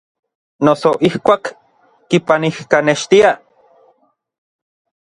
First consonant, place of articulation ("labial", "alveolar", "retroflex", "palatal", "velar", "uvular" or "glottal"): alveolar